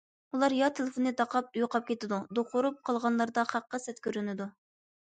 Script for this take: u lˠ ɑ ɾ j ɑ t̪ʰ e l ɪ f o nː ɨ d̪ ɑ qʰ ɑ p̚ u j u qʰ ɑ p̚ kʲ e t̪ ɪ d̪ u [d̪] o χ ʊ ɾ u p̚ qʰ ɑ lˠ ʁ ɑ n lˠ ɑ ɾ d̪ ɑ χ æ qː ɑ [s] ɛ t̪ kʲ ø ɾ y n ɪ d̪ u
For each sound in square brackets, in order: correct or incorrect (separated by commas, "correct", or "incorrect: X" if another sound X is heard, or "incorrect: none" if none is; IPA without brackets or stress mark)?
correct, correct